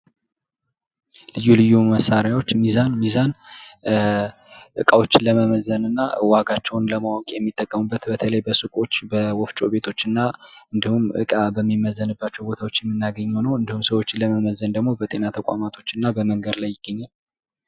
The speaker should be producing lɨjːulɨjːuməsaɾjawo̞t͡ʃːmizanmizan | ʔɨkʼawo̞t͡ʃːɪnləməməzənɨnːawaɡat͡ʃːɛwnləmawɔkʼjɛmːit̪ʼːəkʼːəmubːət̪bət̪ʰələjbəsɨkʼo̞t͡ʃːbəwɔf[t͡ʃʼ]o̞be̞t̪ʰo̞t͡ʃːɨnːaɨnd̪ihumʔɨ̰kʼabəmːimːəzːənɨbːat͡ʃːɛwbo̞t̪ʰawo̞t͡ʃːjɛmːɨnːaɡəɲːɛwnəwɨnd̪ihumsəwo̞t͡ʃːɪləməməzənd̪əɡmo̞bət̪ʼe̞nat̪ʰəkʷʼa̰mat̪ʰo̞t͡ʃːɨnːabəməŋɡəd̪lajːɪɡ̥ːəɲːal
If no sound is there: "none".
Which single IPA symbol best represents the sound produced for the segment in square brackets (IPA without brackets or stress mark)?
t͡ʃʼ